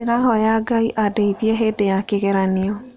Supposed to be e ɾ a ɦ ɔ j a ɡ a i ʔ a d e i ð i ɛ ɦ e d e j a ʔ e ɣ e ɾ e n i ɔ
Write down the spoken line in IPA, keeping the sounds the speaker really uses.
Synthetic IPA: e ɾ a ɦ ɔ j a ɡ a i ʔ a d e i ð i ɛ ɦ e d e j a k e ɣ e ɾ a n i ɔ

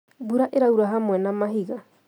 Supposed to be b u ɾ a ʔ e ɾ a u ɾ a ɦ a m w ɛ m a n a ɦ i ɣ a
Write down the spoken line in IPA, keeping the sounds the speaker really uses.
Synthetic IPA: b u ɾ a ʔ e ɾ a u ɾ a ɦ a m w ɛ n a m a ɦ i ɣ a

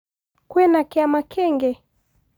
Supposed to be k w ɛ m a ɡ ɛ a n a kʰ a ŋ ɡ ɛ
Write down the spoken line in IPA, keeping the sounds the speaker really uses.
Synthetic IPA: k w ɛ n a k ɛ a m a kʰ ɛ ŋ ɡ ɛ

